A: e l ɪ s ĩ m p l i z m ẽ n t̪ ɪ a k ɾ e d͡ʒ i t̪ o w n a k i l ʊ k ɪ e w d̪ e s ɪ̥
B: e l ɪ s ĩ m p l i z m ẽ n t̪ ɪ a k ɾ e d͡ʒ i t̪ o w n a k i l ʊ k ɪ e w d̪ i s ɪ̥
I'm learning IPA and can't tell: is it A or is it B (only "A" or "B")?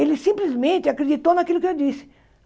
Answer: B